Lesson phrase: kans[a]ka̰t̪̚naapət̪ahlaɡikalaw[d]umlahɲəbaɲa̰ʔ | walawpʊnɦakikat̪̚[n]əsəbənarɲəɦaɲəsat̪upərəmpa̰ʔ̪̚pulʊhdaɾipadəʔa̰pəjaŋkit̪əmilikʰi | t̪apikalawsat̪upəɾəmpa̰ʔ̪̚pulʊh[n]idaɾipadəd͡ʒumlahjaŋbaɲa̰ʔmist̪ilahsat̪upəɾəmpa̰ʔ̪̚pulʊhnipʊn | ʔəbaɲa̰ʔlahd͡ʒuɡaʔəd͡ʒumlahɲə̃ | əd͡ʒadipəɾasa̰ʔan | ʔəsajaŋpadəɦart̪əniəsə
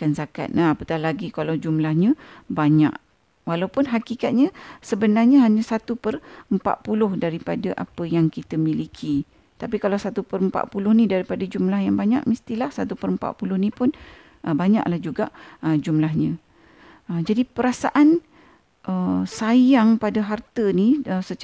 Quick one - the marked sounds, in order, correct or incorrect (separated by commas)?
correct, incorrect, incorrect, correct